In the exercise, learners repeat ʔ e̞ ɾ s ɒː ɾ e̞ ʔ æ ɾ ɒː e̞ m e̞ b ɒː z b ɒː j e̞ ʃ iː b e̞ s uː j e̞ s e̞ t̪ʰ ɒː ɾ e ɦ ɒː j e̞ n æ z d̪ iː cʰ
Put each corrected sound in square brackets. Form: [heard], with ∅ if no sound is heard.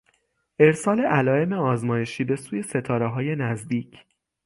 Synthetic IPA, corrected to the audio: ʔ e̞ ɾ s ɒː [l] e̞ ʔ æ [l] ɒː e̞ m e̞ [∅] ɒː z [m] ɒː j e̞ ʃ iː b e̞ s uː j e̞ s e̞ t̪ʰ ɒː ɾ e ɦ ɒː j e̞ n æ z d̪ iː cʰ

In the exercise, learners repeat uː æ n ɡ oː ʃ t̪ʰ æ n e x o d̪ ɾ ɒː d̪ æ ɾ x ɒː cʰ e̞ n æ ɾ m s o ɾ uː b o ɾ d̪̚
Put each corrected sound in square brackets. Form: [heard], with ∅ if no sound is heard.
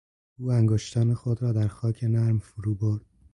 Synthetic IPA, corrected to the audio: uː æ [ŋ] ɡ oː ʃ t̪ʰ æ n e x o d̪ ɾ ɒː d̪ æ ɾ x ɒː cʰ e̞ n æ ɾ m [f] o ɾ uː b o ɾ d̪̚

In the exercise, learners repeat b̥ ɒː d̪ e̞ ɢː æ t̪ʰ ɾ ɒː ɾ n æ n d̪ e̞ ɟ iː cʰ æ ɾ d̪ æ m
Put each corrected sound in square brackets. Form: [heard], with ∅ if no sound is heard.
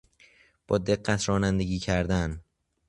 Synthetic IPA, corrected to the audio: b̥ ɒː d̪ e̞ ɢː æ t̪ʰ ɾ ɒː [∅] n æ n d̪ e̞ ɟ iː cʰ æ ɾ d̪ æ [n]

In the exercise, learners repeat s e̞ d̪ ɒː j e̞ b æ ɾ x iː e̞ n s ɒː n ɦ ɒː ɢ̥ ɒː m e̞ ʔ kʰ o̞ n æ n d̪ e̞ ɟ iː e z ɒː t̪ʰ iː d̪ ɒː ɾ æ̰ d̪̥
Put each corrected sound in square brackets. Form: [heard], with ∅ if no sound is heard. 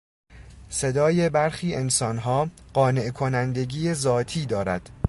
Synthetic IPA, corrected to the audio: s e̞ d̪ ɒː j e̞ b æ ɾ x iː e̞ n s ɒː n ɦ ɒː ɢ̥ ɒː [n] e̞ ʔ kʰ o̞ n æ n d̪ e̞ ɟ iː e z ɒː t̪ʰ iː d̪ ɒː ɾ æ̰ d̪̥

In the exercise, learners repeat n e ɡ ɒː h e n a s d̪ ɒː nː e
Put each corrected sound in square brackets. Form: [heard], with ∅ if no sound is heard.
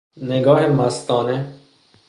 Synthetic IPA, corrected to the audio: n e ɡ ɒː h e [m] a s [t̪] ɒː [n] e

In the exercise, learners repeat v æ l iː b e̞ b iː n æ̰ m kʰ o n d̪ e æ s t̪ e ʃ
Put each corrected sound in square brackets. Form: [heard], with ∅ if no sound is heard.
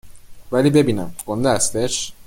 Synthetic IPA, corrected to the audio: v æ l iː b e̞ b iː n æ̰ m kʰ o n d̪ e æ s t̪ e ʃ

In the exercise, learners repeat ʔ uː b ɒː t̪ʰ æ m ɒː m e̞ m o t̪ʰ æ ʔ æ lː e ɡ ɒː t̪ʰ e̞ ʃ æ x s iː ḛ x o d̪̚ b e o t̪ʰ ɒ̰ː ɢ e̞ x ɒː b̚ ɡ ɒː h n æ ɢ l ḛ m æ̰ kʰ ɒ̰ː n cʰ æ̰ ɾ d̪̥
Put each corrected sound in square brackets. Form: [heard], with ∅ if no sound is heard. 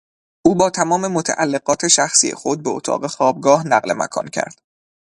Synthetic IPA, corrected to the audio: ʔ uː b ɒː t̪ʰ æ m ɒː m e̞ m o t̪ʰ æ ʔ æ lː e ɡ ɒː t̪ʰ e̞ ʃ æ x s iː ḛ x o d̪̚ b e o t̪ʰ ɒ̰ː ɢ e̞ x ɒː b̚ ɡ ɒː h n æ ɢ l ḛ m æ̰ kʰ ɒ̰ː n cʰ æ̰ ɾ d̪̥

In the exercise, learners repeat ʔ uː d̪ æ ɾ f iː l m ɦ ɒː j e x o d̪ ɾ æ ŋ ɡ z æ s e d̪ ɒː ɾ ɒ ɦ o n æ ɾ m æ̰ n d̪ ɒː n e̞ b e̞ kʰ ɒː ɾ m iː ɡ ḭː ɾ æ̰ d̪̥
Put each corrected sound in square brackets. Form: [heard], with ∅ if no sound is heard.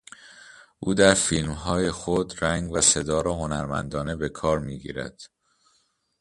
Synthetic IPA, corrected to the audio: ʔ uː d̪ æ ɾ f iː l m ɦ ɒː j e x o d̪ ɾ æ ŋ ɡ [v] æ s e d̪ ɒː ɾ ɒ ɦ o n æ ɾ m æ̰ n d̪ ɒː n e̞ b e̞ kʰ ɒː ɾ m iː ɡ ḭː ɾ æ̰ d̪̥

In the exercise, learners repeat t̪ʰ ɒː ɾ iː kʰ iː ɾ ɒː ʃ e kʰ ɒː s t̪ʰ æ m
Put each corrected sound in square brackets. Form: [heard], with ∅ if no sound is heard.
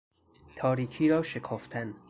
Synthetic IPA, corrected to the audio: t̪ʰ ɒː ɾ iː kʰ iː ɾ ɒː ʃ e kʰ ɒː [f] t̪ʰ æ [n]

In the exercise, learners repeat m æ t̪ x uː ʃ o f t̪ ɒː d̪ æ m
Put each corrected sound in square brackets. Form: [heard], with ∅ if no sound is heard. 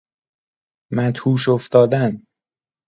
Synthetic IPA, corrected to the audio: m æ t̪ [h] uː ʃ o f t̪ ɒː d̪ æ [n]

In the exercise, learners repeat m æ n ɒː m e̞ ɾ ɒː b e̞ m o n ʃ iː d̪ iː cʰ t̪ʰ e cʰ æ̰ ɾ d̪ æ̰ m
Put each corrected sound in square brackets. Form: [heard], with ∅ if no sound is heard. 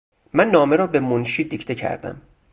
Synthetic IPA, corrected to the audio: m æ [nː] ɒː m e̞ ɾ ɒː b e̞ m o n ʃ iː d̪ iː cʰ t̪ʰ e cʰ æ̰ ɾ d̪ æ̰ m

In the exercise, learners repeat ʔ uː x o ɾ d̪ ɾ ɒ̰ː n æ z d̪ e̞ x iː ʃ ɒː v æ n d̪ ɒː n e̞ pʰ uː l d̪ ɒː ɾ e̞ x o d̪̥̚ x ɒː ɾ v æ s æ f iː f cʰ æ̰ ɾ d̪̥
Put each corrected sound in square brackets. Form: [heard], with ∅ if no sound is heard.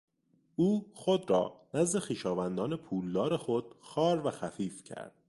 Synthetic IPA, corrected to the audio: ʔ uː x o [∅] d̪ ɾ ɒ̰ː n æ z d̪ e̞ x iː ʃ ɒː v æ n d̪ ɒː n e̞ pʰ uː l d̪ ɒː ɾ e̞ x o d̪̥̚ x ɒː ɾ v æ [x] æ f iː f cʰ æ̰ ɾ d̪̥

